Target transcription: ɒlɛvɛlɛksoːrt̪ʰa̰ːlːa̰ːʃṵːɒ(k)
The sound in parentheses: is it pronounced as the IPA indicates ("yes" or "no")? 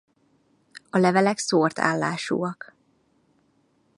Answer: yes